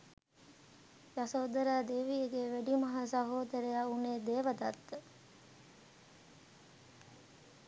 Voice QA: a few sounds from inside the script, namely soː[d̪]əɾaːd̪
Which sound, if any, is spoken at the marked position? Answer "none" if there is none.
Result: d̪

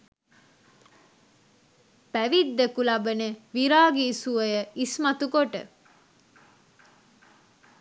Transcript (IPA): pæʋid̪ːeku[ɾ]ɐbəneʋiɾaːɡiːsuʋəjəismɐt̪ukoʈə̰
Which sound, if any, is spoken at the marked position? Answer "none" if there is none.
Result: l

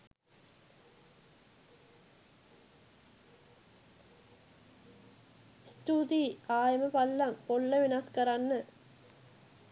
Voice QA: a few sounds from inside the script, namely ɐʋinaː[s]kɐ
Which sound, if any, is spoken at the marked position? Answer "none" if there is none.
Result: s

